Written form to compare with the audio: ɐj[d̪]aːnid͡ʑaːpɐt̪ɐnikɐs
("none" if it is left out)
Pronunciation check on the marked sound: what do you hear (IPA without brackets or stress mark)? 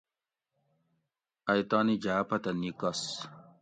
t̪